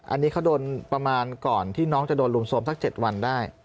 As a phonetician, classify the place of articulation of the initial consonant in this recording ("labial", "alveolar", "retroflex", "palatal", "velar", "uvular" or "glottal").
glottal